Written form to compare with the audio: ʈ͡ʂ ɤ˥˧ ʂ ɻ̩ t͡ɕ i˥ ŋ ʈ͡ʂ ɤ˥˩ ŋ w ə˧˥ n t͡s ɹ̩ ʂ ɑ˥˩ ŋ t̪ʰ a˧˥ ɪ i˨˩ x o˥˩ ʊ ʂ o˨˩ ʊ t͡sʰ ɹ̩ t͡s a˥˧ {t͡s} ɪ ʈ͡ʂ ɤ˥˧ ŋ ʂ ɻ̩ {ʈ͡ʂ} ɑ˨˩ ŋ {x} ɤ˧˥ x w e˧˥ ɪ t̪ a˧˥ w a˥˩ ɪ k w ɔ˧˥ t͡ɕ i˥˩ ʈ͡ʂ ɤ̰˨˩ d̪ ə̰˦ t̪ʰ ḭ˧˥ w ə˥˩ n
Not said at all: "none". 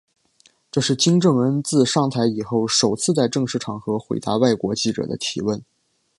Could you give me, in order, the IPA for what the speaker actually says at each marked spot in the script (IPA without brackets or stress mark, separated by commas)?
none, ʈ͡ʂʰ, x